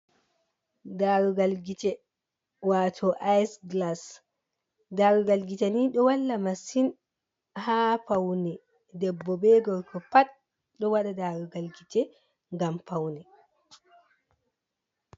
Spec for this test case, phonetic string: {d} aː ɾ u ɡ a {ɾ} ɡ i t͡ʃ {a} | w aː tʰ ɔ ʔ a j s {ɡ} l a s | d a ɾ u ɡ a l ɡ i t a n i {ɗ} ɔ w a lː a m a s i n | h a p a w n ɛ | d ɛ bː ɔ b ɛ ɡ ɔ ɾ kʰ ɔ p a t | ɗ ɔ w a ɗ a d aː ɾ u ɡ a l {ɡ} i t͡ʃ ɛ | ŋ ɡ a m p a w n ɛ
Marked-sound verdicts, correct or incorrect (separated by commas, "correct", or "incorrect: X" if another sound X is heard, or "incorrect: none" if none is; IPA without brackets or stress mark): correct, incorrect: l, incorrect: ɛ, correct, correct, correct